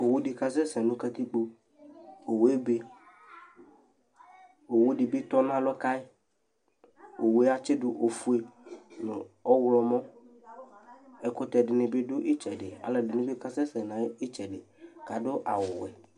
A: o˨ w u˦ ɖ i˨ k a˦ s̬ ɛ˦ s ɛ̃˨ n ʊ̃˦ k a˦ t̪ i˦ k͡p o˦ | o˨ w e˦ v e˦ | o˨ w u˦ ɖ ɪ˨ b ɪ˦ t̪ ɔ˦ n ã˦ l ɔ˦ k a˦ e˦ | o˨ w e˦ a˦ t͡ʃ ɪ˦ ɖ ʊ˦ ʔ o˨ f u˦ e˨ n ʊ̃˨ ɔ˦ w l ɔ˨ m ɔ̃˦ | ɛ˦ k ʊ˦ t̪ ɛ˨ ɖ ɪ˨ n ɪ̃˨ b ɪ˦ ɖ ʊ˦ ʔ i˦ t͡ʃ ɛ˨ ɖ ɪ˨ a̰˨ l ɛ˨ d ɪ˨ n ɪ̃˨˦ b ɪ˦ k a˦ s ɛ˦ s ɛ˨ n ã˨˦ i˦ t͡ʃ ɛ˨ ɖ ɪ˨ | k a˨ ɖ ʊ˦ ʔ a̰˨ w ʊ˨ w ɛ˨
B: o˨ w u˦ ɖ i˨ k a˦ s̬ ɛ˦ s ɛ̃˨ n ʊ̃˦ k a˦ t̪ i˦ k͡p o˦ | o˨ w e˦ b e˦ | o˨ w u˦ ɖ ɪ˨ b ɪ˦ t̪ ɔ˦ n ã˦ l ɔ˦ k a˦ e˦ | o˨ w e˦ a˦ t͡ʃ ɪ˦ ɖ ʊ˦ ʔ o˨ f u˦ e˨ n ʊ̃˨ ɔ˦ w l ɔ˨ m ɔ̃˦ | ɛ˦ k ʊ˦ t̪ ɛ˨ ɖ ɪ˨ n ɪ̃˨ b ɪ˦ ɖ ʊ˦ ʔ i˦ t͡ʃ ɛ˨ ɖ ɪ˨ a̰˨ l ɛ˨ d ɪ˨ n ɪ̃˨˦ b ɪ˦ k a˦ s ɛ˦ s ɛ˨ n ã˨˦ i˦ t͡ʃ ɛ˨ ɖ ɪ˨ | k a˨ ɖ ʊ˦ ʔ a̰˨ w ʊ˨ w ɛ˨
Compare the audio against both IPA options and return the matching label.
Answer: B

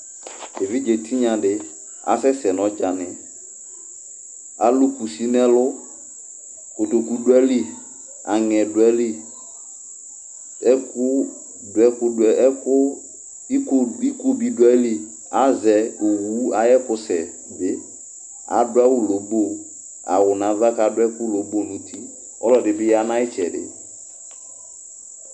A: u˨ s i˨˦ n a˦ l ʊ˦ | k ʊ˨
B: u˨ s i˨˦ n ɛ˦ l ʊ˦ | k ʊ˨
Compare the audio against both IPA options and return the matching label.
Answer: B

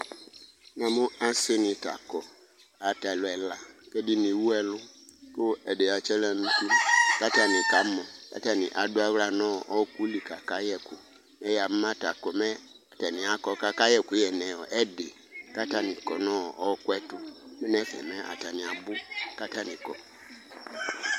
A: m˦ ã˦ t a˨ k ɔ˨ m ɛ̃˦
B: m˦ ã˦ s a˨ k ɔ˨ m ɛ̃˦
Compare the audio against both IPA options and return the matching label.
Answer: A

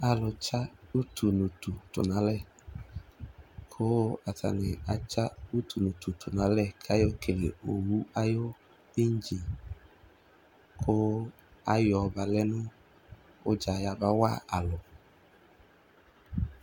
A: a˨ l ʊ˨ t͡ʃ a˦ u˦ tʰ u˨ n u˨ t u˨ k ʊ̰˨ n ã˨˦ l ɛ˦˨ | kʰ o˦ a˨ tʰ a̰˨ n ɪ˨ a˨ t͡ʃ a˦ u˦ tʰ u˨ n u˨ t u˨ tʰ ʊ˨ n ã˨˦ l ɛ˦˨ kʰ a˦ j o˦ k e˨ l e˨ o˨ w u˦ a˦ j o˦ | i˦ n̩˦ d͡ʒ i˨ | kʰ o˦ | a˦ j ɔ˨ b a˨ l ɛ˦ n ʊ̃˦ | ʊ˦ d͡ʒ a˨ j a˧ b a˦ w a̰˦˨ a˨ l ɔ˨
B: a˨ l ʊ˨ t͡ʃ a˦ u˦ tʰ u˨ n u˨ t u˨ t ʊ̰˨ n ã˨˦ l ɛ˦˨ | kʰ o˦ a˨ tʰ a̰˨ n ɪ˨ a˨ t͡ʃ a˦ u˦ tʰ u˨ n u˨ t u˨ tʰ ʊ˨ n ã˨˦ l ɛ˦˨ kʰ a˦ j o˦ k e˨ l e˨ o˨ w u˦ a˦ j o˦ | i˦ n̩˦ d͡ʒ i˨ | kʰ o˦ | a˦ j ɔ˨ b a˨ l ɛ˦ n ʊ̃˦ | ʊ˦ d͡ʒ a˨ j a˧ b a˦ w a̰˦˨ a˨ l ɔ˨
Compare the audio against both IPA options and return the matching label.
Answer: B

